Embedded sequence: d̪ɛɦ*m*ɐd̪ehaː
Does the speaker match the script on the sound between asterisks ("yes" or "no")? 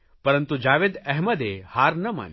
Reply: yes